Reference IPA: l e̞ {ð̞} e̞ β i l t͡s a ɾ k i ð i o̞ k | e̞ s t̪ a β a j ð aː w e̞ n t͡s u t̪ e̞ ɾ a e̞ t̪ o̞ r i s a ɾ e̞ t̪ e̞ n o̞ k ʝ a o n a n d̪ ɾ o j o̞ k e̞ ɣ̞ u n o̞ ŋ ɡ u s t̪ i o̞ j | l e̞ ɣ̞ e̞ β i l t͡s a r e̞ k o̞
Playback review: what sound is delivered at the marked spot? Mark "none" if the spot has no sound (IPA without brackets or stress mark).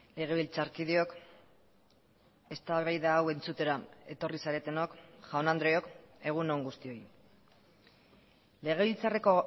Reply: ɣ̞